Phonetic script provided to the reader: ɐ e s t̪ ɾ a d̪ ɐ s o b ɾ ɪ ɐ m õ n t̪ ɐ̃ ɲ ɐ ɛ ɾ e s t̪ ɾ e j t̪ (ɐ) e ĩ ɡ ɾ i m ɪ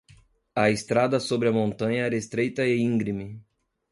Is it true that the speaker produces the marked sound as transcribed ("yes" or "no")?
yes